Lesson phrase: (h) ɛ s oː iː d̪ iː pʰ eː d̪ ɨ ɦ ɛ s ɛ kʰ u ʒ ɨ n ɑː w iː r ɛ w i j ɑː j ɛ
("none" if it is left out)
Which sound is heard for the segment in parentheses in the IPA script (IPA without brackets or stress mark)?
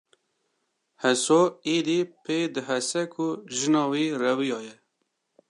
h